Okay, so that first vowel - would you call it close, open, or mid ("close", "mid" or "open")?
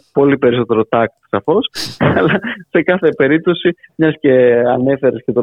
mid